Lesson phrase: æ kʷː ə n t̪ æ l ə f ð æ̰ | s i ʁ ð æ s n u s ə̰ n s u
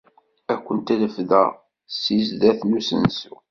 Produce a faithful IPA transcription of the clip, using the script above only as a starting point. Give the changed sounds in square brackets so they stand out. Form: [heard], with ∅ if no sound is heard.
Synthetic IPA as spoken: æ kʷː ə n t̪ æ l ə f ð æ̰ | s i [z] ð æ [θ] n u s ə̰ n s u